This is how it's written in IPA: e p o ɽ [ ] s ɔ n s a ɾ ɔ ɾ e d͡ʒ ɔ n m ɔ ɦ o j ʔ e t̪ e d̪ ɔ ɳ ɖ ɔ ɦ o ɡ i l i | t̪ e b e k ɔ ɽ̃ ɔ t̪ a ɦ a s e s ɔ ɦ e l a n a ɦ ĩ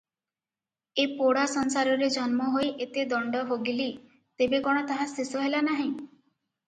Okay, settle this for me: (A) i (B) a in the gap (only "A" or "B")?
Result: B